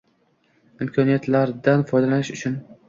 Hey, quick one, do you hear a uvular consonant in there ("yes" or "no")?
no